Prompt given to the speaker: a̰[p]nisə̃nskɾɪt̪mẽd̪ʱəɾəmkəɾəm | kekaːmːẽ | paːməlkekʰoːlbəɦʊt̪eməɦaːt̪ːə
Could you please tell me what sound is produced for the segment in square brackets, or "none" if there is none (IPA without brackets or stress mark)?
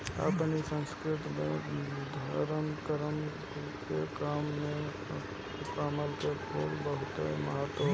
p